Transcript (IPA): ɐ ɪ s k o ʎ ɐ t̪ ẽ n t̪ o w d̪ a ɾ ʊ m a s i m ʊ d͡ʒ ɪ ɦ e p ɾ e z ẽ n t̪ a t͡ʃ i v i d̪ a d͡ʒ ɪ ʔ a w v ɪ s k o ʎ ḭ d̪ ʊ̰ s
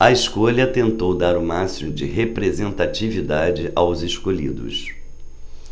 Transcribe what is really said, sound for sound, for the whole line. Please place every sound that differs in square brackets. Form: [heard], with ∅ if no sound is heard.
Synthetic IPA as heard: ɐ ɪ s k o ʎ ɐ t̪ ẽ n t̪ o w d̪ a ɾ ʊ m a s i m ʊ d͡ʒ ɪ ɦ e p ɾ e z ẽ n t̪ a t͡ʃ i v i d̪ a d͡ʒ ɪ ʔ a w [z] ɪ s k o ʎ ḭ d̪ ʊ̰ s